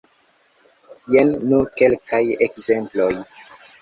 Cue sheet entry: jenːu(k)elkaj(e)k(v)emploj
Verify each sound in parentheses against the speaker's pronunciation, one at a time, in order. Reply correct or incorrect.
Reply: correct, correct, incorrect: z

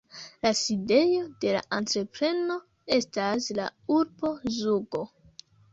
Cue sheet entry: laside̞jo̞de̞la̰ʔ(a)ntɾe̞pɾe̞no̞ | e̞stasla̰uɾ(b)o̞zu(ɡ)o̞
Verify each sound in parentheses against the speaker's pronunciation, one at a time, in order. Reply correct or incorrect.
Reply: correct, correct, correct

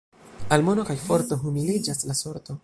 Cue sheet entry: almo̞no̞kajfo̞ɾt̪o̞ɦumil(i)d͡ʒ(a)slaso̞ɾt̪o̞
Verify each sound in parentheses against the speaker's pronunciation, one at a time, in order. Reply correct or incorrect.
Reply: correct, correct

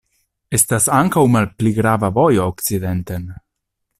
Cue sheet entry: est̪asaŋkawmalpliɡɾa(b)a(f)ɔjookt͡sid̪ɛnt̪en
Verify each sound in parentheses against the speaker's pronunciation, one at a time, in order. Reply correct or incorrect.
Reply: incorrect: v, incorrect: v

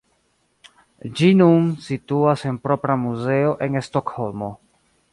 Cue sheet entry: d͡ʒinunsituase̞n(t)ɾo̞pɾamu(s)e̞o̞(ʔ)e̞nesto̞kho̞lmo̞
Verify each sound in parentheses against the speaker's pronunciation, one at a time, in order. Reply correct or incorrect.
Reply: incorrect: p, incorrect: z, correct

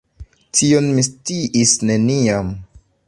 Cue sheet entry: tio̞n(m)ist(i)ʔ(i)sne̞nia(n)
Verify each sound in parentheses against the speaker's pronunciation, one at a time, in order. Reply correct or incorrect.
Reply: correct, correct, correct, incorrect: m

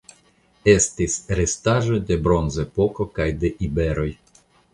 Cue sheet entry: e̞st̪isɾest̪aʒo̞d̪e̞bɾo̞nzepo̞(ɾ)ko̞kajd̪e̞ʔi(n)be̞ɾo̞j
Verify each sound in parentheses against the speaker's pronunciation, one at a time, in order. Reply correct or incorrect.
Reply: incorrect: none, incorrect: none

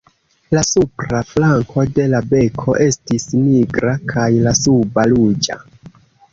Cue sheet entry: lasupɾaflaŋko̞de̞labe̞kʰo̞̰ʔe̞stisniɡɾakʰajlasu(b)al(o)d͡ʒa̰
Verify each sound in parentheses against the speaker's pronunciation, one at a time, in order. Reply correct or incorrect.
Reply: correct, incorrect: u

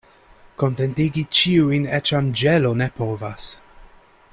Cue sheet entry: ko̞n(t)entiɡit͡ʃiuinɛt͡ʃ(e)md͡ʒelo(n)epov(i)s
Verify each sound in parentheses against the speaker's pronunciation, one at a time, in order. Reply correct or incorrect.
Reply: correct, incorrect: a, correct, incorrect: a

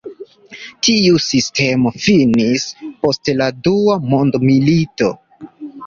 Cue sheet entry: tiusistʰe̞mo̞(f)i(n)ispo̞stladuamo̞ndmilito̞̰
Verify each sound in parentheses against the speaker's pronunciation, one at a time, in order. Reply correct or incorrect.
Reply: correct, correct

